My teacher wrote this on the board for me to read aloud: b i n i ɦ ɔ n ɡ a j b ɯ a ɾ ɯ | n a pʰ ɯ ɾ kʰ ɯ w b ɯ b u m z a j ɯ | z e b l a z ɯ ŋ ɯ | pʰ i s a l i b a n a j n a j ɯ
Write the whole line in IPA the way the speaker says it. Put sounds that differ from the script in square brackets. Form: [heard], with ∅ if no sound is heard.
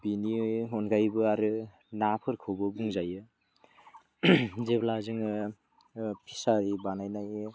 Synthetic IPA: b i n i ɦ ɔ n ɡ a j b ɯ a ɾ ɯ | n a pʰ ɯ ɾ kʰ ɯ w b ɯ b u [ŋ] z a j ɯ | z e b l a z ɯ ŋ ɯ | pʰ i s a [ɾ] i b a n a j n a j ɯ